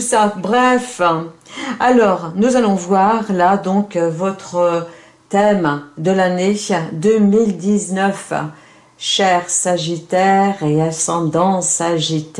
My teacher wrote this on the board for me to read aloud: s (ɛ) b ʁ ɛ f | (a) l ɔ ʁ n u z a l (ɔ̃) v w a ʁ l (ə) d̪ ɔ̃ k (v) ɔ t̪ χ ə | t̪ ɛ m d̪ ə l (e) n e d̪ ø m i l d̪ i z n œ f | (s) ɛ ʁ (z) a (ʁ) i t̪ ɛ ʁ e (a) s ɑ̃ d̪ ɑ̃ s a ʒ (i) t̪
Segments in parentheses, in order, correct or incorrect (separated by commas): incorrect, correct, correct, incorrect, correct, incorrect, incorrect, incorrect, incorrect, correct, correct